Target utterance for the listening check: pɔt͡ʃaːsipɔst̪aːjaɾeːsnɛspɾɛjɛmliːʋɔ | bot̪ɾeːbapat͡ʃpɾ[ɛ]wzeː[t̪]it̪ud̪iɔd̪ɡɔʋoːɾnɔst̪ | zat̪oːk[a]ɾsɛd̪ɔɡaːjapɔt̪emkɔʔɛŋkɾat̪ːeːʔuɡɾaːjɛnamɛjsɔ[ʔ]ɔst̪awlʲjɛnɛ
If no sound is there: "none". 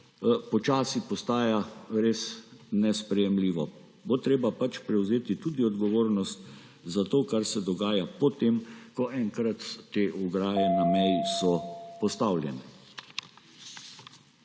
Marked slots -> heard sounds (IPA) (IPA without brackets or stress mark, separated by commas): ɛ, t̪, a, p